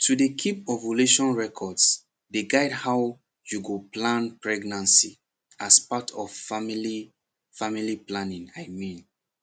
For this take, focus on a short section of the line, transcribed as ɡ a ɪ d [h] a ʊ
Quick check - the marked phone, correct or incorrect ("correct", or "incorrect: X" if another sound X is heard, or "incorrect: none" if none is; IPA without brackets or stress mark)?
correct